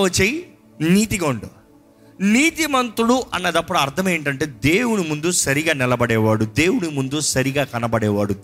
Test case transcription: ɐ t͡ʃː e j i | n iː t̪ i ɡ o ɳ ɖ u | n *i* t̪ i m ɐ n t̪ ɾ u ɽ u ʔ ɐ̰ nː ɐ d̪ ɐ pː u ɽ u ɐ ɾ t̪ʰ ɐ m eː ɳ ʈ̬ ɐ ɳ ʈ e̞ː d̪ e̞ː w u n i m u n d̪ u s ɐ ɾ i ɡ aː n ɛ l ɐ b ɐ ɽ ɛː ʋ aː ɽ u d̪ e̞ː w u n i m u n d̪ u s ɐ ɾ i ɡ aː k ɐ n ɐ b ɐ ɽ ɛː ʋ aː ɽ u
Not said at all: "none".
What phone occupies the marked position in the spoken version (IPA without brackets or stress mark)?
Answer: iː